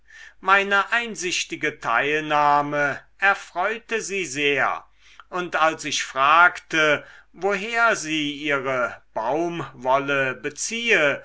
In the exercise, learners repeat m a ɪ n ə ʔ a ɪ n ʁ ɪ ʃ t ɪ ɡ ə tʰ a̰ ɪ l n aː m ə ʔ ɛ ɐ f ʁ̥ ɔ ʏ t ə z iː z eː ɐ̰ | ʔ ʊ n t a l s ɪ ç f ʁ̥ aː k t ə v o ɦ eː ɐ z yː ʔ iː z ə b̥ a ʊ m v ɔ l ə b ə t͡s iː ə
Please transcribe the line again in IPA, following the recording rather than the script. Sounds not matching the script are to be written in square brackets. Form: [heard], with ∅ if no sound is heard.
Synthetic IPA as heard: m a ɪ n ə ʔ a ɪ n [z] ɪ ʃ t ɪ ɡ ə tʰ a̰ ɪ l n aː m ə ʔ ɛ ɐ f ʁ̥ ɔ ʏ t ə z iː z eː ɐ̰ | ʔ ʊ n t a l s ɪ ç f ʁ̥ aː k t ə v o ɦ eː ɐ z [iː] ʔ iː [ʁ] ə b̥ a ʊ m v ɔ l ə b ə t͡s iː ə